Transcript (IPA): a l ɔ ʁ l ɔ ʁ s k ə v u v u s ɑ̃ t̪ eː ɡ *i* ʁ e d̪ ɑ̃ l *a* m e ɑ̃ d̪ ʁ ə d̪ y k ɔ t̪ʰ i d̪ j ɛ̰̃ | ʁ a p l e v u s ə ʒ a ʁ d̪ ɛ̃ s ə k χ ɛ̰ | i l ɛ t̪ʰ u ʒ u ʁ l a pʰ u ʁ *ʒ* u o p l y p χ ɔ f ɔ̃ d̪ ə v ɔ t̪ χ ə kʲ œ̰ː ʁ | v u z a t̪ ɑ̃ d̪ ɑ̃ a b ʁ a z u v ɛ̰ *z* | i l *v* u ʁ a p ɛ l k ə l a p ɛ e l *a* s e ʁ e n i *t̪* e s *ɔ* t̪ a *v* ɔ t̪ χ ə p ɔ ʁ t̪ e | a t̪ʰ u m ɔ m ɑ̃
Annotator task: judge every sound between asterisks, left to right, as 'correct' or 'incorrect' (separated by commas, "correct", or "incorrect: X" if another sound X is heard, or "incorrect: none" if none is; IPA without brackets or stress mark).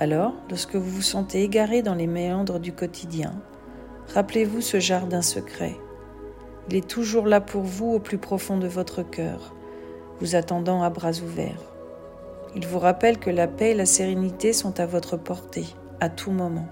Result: incorrect: a, incorrect: e, incorrect: v, incorrect: ʁ, correct, correct, correct, incorrect: ɔ̃, correct